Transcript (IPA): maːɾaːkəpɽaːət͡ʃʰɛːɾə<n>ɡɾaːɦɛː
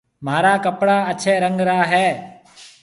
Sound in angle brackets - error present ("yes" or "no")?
yes